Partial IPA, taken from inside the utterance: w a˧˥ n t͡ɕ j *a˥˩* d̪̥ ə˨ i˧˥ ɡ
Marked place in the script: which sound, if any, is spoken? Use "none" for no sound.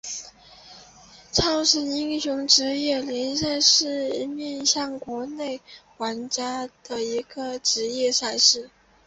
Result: a˥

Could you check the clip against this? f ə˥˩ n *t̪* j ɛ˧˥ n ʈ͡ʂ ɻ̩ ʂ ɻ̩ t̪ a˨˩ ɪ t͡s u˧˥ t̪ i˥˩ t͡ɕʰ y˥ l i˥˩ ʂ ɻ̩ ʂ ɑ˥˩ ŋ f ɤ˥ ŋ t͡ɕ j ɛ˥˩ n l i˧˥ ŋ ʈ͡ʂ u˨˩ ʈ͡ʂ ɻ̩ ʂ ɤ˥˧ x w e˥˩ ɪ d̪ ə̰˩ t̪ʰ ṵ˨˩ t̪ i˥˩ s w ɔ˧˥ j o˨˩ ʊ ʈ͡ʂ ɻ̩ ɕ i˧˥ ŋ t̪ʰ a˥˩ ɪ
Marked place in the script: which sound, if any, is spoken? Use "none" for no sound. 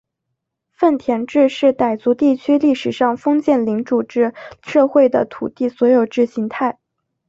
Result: t̪ʰ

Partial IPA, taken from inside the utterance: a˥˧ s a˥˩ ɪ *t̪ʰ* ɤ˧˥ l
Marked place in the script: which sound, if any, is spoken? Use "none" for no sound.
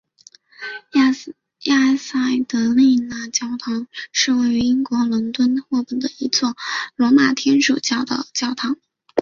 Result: t̪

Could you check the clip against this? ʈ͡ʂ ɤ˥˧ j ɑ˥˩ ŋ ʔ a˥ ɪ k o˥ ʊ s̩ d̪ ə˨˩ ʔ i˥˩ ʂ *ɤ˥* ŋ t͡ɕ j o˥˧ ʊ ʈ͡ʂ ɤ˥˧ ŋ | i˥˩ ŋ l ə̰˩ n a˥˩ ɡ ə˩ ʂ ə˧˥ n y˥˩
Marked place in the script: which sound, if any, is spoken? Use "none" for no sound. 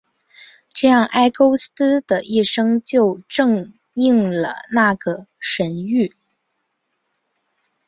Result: ɤ˥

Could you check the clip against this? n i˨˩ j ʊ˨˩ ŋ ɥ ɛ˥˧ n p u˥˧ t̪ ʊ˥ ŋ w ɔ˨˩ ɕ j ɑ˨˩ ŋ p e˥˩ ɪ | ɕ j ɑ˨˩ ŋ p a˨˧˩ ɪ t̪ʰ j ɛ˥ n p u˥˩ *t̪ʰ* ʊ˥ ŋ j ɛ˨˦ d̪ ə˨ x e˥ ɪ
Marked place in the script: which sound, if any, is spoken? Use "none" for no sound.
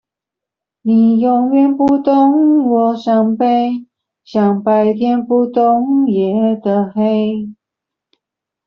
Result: t̪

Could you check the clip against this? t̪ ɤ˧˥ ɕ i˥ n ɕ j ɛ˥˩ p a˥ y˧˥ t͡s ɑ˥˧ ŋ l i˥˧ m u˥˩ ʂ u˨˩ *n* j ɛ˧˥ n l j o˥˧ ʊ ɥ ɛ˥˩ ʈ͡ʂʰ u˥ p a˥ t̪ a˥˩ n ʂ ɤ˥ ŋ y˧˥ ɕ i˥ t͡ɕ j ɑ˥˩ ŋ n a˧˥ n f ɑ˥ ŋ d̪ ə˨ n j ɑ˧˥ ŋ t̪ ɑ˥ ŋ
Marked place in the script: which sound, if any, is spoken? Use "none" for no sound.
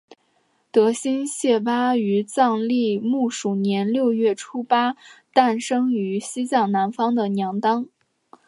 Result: n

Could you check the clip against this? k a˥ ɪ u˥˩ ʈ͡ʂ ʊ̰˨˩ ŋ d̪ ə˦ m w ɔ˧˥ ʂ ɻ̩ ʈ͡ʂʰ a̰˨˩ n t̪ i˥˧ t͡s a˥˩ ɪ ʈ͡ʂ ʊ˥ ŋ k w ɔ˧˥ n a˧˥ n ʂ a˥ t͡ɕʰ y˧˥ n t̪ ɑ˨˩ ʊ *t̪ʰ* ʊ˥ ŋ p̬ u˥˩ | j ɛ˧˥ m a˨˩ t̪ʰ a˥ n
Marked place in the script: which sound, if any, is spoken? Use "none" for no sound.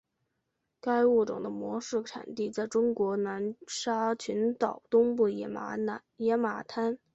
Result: t̪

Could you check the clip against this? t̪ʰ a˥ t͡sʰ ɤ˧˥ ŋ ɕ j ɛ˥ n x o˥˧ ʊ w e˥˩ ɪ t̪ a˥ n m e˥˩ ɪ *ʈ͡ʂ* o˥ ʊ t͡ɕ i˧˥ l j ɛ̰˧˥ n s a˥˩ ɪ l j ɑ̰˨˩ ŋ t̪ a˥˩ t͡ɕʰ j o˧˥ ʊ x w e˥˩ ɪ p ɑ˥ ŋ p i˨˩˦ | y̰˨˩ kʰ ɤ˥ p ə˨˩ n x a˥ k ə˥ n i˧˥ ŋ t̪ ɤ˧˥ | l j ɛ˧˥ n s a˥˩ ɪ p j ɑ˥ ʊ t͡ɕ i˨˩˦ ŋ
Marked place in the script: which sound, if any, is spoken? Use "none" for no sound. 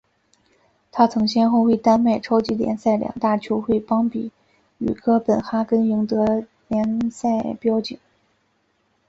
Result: ʈ͡ʂʰ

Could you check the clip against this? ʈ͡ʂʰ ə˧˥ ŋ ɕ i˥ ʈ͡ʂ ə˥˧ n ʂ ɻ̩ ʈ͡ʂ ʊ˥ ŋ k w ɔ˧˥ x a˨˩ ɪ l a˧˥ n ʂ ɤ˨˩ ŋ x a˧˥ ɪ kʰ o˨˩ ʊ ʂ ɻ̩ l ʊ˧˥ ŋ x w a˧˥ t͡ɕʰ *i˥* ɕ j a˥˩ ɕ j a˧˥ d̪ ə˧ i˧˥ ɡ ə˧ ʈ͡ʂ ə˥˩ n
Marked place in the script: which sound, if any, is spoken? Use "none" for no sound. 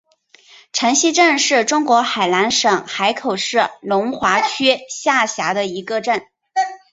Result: y˥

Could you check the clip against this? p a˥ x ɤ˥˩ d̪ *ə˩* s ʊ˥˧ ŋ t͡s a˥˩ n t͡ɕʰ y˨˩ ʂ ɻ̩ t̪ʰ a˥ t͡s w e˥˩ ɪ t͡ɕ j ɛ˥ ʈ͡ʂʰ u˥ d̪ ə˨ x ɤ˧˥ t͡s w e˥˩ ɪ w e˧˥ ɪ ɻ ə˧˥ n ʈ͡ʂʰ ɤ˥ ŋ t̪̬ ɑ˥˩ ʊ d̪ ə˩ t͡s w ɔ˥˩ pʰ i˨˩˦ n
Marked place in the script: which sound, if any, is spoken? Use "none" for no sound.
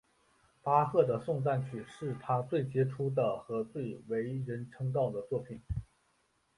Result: ə˩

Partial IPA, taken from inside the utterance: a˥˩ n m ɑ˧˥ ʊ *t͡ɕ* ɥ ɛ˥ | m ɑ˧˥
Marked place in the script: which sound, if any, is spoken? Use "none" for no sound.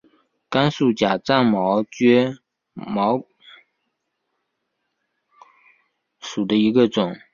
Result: t͡ɕ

